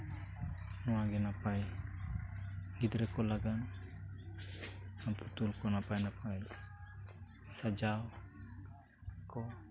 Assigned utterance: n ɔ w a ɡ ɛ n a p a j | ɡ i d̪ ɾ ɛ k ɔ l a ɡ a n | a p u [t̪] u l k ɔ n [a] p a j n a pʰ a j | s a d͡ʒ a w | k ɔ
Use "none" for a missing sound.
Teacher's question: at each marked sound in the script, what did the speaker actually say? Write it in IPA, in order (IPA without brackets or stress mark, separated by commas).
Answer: t̪, a